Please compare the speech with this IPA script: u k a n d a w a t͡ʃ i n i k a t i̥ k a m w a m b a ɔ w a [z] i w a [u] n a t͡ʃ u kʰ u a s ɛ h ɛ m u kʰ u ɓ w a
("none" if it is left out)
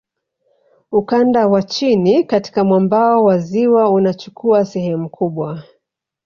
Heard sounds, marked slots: z, u

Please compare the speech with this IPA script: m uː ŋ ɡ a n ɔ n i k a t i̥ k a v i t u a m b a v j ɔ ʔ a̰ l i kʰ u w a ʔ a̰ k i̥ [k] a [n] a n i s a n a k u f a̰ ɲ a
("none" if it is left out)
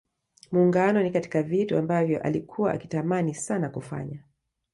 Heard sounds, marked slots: t, m

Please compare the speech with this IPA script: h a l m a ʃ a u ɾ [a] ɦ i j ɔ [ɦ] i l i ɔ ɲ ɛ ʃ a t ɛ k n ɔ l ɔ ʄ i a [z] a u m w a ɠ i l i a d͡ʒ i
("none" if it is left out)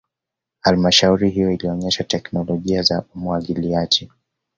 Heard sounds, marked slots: i, none, z

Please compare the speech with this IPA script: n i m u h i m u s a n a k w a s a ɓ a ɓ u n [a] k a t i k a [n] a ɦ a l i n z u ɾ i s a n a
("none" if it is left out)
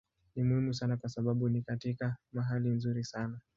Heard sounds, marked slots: i, m

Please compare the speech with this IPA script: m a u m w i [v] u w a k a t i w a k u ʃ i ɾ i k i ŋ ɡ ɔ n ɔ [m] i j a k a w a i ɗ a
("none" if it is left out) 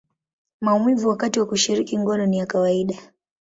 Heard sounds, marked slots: v, n

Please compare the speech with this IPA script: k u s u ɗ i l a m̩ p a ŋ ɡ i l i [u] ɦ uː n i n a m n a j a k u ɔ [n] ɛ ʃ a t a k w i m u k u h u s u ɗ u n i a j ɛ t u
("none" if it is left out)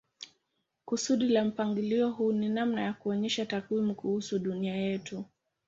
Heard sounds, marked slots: ɔ, ɲ

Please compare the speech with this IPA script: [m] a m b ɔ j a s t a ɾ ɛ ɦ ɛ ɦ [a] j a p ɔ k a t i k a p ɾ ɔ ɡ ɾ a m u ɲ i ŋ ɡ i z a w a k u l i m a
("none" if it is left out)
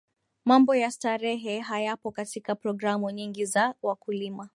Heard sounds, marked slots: m, a

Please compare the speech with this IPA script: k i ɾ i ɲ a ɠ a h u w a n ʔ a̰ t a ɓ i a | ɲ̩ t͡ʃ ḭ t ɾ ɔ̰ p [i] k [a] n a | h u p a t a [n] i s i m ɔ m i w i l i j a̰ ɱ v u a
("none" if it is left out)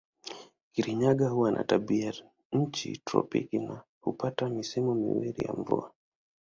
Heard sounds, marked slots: i, i, m

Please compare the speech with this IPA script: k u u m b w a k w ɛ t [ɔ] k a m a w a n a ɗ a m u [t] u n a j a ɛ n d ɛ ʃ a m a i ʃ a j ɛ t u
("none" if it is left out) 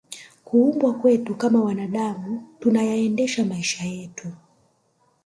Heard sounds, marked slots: u, t

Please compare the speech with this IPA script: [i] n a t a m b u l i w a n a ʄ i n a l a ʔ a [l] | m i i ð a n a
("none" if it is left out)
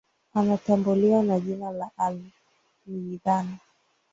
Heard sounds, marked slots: a, l

